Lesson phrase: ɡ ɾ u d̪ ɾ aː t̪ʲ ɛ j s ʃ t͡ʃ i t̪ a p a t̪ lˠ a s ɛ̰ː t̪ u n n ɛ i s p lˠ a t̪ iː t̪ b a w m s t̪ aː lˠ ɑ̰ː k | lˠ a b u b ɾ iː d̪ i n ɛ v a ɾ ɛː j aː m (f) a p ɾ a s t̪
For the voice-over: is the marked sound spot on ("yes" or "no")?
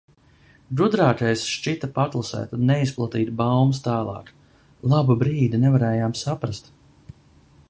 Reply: no